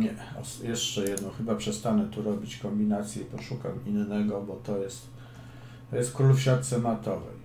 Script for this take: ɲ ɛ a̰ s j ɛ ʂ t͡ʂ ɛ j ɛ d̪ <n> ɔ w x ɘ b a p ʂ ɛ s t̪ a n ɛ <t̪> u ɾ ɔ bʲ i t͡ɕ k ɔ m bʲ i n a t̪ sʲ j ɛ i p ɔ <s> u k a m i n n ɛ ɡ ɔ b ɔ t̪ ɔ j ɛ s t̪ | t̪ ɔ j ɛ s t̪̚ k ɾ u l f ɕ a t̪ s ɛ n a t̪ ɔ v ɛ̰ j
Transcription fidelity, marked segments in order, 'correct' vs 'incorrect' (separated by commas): correct, correct, incorrect